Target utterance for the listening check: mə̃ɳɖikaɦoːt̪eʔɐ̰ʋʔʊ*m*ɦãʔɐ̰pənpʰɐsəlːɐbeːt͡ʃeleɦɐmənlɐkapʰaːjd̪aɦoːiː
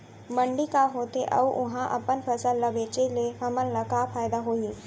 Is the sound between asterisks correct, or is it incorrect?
incorrect